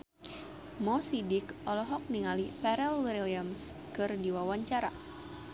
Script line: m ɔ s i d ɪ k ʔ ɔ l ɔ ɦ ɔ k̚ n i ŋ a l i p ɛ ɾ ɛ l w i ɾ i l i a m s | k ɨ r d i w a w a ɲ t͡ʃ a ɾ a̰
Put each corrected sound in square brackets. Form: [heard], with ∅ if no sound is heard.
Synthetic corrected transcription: m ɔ s i d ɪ k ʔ ɔ l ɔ ɦ ɔ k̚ n i ŋ a l i p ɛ ɾ ɛ l w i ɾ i l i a m s | k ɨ r d i w a w a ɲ t͡ʃ a ɾ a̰

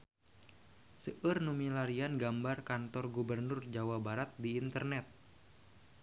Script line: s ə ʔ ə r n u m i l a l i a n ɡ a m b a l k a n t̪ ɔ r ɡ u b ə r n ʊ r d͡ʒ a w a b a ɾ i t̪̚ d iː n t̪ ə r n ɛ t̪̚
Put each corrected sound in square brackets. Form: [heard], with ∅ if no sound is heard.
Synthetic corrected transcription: s ə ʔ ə r n u m i l a [ɾ] i a n ɡ a m b a [r] k a n t̪ ɔ r ɡ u b ə r n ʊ r d͡ʒ a w a b a ɾ [a] t̪̚ d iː n t̪ ə r n ɛ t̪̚

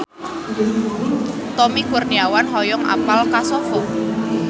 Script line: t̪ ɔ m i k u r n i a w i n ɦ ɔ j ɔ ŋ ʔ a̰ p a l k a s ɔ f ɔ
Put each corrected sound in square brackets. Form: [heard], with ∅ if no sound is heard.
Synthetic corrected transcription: t̪ ɔ m i k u r n i a w [a] n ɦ ɔ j ɔ ŋ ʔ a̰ p a l k a s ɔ f ɔ

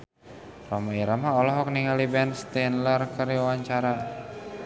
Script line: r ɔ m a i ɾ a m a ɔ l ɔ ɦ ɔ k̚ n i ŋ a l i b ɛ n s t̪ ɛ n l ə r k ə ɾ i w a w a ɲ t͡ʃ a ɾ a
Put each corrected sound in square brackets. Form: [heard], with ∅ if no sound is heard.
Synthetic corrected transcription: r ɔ m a i ɾ a m a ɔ l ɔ ɦ ɔ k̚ n i ŋ a l i b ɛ n s t̪ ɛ n l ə r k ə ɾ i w a w a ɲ t͡ʃ a ɾ a

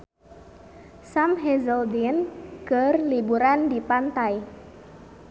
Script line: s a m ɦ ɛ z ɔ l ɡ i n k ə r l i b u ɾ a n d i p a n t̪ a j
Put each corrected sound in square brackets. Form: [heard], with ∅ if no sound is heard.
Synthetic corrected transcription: s a m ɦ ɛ z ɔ l [d] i n k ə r l i b u ɾ a n d i p a n t̪ a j

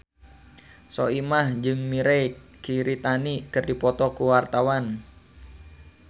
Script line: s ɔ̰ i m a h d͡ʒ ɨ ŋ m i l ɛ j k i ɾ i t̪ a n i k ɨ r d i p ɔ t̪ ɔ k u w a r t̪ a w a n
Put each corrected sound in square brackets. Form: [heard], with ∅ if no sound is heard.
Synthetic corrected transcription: s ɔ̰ i m a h d͡ʒ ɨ ŋ m i [ɾ] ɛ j k i ɾ i t̪ a n i k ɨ r d i p ɔ t̪ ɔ k u w a r t̪ a w a n

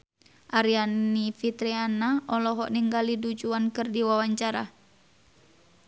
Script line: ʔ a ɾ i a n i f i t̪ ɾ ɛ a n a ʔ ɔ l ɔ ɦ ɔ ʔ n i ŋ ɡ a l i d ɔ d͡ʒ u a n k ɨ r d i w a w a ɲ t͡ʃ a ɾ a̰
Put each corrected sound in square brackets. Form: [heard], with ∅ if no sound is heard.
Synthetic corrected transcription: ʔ a ɾ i a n i f i t̪ ɾ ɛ a n a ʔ ɔ l ɔ ɦ ɔ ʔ n i ŋ ɡ a l i d [u] d͡ʒ u a n k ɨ r d i w a w a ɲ t͡ʃ a ɾ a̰

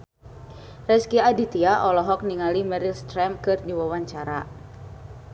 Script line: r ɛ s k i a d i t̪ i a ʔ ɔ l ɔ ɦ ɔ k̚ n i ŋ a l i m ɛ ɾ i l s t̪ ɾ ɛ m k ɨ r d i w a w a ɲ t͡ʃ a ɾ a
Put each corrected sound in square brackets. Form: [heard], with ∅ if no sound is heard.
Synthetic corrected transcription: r ɛ s k i a d i t̪ i a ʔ ɔ l ɔ ɦ ɔ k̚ n i ŋ a l i m ɛ ɾ i l s t̪ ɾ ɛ m k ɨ r d i w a w a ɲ t͡ʃ a ɾ a

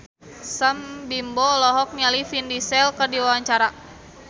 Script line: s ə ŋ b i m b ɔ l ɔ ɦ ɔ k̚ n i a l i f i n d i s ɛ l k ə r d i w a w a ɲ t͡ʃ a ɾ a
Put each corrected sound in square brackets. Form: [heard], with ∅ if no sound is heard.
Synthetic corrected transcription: s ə [m] b i m b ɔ l ɔ ɦ ɔ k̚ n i a l i f i n d i s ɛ l k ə r d i w a w a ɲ t͡ʃ a ɾ a

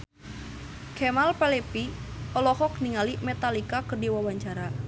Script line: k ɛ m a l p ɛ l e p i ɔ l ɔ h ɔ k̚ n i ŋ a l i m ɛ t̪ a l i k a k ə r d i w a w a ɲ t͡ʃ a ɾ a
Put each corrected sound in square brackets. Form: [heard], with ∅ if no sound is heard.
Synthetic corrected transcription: k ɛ m a l p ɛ l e p i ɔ l ɔ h ɔ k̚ n i ŋ a l i m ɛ t̪ a l i k a k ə r d i w a w a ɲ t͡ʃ a ɾ a

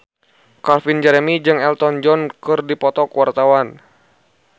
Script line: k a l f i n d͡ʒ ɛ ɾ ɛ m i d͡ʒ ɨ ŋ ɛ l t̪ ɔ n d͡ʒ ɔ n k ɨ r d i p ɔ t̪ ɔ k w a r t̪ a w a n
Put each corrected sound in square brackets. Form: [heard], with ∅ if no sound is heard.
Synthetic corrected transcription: k a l f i n d͡ʒ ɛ ɾ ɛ m i d͡ʒ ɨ ŋ ɛ l t̪ ɔ n d͡ʒ ɔ n k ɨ r d i p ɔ t̪ ɔ k w a r t̪ a w a n

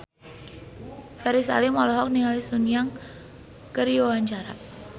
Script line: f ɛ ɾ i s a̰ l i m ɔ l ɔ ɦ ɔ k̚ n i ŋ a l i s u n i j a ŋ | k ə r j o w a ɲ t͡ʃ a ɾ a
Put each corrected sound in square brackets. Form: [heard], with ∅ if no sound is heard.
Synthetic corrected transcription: f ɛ ɾ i s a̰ l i m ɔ l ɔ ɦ ɔ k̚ n i ŋ a l i s u n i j a ŋ | k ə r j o w a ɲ t͡ʃ a ɾ a

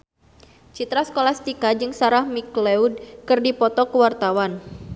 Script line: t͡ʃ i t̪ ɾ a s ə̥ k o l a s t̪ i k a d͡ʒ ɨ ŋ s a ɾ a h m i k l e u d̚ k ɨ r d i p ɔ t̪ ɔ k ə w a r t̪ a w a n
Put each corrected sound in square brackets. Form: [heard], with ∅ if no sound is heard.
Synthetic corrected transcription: t͡ʃ i t̪ ɾ a s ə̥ k o l a s t̪ i k a d͡ʒ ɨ ŋ s a ɾ a h m i k l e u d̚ k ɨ r d i p ɔ t̪ ɔ k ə w a r t̪ a w a n

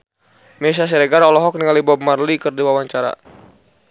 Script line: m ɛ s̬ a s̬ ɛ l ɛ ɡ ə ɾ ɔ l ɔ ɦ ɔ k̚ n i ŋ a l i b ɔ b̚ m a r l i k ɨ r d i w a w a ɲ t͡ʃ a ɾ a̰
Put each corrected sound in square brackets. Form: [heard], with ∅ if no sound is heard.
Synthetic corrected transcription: m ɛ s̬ a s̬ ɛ [ɾ] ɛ ɡ [a] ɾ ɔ l ɔ ɦ ɔ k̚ n i ŋ a l i b ɔ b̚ m a r l i k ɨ r d i w a w a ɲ t͡ʃ a ɾ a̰

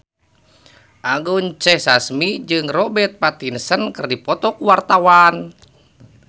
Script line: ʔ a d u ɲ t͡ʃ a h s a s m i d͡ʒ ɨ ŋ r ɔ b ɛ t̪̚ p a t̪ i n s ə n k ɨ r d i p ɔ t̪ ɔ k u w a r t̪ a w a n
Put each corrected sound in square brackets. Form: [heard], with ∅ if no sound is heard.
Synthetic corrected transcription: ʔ a [ɡ] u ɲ t͡ʃ [ɛ] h s a s m i d͡ʒ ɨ ŋ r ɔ b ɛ t̪̚ p a t̪ i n s ə n k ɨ r d i p ɔ t̪ ɔ k u w a r t̪ a w a n

